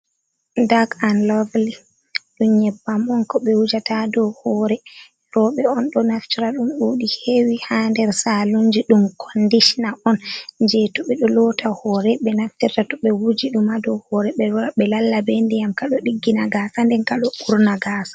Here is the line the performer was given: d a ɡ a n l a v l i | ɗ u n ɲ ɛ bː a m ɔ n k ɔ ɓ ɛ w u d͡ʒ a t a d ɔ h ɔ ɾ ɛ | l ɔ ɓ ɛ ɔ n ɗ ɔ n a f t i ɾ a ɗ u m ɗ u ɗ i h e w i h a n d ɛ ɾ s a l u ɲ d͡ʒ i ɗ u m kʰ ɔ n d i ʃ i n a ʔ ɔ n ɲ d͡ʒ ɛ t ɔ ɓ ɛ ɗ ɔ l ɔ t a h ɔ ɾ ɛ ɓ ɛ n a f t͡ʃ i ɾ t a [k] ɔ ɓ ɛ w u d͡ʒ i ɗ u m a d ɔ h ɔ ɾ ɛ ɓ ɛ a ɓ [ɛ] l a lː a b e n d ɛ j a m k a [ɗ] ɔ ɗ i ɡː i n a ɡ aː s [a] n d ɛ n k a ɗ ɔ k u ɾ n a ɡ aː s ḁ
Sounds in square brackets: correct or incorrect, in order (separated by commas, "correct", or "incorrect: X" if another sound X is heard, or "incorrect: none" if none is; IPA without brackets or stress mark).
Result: incorrect: t, correct, correct, correct